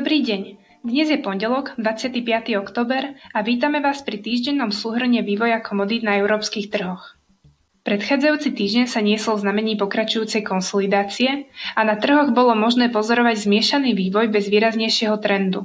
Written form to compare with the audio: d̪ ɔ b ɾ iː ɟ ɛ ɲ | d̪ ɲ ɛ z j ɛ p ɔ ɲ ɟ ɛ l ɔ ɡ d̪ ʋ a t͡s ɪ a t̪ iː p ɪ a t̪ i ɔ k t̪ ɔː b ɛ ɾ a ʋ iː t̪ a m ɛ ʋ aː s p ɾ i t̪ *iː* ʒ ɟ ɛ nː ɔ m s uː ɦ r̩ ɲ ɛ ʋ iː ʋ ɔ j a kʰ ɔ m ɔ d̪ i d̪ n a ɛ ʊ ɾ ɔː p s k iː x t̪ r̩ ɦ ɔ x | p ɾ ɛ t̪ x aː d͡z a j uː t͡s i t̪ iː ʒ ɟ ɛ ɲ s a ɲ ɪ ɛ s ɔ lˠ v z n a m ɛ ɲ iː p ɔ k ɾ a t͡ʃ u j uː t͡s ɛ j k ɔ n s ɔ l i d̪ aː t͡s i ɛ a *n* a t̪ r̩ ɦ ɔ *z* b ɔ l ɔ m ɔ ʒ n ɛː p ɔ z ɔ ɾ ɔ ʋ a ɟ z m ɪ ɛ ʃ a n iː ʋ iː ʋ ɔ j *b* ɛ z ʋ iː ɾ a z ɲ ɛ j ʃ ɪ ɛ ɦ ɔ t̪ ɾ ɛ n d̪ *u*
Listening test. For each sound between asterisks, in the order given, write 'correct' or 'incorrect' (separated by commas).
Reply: correct, correct, incorrect, correct, correct